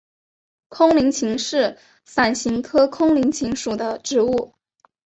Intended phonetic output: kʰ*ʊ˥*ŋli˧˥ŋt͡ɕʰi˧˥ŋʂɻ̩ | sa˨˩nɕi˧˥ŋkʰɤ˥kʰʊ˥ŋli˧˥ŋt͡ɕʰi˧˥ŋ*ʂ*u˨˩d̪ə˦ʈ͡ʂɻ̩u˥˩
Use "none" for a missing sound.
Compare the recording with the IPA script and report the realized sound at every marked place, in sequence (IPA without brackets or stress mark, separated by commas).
ʊ˥, ʂ